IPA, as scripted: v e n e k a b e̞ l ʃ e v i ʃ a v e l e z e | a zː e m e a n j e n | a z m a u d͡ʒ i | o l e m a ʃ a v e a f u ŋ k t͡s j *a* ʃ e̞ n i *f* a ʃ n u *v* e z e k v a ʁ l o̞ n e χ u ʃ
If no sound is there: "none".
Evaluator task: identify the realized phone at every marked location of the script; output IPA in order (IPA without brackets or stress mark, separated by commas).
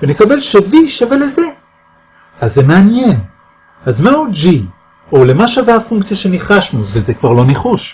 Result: a, χ, v